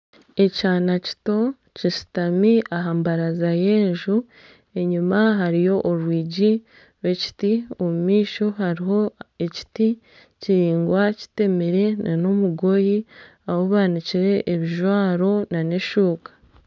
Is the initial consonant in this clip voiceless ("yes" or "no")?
yes